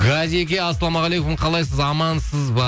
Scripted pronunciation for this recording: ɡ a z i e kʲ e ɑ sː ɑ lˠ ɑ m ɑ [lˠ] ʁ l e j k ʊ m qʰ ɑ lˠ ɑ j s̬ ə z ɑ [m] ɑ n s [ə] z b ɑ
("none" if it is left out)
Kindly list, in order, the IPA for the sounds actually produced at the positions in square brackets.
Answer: none, m, ə

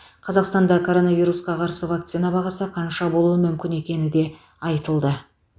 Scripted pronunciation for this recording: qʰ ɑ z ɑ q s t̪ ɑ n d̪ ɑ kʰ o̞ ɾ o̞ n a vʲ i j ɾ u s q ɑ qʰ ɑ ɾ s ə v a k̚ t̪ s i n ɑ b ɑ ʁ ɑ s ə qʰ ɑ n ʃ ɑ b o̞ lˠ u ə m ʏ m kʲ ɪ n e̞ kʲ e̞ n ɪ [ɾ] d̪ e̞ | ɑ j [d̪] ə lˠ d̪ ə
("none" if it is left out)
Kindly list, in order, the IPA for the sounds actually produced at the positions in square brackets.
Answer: none, t̪

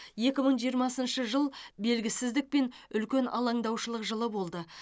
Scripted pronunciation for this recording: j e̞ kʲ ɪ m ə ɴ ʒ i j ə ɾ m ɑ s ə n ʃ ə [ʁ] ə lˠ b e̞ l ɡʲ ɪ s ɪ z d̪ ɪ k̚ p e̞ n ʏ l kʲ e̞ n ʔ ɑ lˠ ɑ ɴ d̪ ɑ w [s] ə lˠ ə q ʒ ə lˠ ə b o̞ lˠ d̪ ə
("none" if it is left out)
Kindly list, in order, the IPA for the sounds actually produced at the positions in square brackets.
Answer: ʒ, ʃ

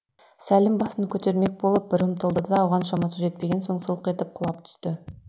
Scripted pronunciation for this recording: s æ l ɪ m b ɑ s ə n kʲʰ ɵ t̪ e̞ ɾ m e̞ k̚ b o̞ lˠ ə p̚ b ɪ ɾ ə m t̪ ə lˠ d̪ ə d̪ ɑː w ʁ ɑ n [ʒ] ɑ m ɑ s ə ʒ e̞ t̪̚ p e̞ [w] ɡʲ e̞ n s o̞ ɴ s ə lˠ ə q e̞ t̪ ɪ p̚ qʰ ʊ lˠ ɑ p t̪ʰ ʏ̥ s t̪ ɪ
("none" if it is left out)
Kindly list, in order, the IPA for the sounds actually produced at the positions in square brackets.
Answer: ʃ, none

